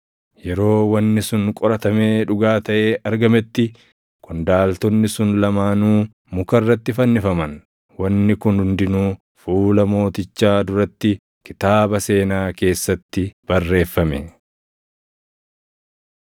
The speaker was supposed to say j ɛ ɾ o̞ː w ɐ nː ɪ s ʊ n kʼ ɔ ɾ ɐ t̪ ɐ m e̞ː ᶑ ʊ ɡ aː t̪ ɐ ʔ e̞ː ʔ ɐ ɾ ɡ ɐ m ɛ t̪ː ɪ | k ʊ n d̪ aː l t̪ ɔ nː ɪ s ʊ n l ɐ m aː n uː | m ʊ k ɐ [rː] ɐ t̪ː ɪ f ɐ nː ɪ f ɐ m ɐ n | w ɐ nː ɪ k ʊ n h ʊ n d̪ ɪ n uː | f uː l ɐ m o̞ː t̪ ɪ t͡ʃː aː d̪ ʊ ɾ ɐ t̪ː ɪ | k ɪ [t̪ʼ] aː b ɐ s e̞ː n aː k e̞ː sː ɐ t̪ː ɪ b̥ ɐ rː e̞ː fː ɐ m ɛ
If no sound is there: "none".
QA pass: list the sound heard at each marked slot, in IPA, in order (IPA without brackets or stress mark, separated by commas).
rː, t̪